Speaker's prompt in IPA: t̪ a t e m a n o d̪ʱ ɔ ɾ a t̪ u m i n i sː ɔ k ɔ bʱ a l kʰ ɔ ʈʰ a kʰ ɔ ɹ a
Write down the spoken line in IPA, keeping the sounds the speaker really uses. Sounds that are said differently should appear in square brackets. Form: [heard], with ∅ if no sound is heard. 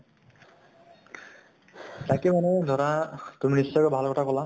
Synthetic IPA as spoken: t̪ a [k] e m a n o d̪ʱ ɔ ɾ a t̪ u m i n i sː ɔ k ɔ bʱ a l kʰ ɔ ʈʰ a [k] ɔ [l] a